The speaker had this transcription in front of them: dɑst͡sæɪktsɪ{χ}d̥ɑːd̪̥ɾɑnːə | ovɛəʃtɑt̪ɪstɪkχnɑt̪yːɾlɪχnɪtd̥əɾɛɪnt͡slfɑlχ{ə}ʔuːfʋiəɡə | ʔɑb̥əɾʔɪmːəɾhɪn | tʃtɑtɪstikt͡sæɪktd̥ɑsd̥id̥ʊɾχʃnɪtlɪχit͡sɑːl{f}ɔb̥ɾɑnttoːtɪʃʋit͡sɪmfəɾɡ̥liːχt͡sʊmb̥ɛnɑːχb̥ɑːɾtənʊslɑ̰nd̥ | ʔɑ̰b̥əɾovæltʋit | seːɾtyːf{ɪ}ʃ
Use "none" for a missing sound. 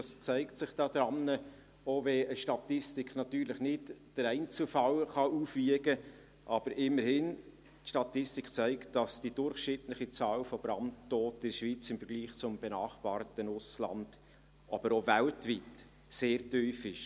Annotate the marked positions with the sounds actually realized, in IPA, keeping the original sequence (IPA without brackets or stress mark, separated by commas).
χ, ɑ, f, ɪ